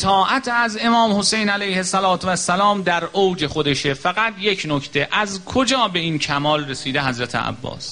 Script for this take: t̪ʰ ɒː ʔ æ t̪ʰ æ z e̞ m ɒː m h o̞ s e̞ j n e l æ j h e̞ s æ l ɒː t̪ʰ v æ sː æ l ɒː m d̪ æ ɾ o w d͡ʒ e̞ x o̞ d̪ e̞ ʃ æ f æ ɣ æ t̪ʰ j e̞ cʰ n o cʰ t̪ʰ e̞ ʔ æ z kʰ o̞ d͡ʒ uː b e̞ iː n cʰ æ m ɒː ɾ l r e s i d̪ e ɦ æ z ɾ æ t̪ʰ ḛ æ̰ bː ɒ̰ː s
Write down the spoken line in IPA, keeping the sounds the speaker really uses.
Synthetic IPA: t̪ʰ ɒː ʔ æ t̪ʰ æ z e̞ m ɒː m h o̞ s e̞ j n æ l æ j h e̞ s æ l ɒː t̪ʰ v æ sː æ l ɒː m d̪ æ ɾ o w d͡ʒ e̞ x o̞ d̪ e̞ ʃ e f æ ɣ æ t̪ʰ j e̞ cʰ n o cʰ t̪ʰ e̞ ʔ æ z kʰ o̞ d͡ʒ ɒː b e̞ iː n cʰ æ m ɒː l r e s iː d̪ e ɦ æ z ɾ æ t̪ʰ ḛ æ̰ bː ɒ̰ː s